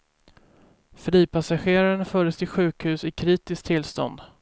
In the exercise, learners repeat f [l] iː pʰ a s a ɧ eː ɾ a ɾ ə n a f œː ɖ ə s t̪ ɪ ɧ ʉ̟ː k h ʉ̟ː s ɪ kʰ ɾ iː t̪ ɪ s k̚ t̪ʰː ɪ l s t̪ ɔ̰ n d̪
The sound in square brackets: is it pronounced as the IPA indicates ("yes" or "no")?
no